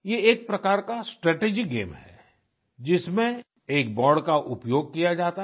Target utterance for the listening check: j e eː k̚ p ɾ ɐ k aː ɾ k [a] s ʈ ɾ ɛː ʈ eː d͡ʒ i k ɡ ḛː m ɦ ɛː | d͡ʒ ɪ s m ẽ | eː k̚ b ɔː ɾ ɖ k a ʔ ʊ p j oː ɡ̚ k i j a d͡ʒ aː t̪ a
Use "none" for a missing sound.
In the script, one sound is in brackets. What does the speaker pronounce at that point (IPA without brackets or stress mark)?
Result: a